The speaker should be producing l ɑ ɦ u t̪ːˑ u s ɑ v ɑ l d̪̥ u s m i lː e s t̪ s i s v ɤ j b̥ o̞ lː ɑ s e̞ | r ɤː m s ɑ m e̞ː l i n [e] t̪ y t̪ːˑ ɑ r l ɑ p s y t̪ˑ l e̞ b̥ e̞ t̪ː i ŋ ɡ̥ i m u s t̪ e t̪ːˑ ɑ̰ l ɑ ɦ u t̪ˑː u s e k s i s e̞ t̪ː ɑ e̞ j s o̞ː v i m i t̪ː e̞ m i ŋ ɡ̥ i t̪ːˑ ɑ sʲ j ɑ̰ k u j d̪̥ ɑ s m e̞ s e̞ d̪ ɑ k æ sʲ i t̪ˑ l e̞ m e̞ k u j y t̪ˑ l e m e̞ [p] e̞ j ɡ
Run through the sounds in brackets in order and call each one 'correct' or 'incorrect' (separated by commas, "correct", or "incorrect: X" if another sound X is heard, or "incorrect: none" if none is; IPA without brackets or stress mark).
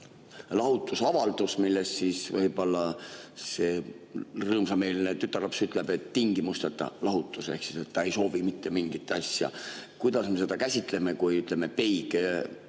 correct, correct